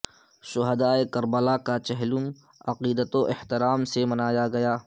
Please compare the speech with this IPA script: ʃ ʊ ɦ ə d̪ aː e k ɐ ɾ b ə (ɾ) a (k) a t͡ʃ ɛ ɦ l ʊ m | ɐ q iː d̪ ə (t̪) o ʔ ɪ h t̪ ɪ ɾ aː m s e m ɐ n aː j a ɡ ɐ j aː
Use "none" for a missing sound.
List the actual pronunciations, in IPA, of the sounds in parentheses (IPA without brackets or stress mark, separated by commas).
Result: l, k, t̪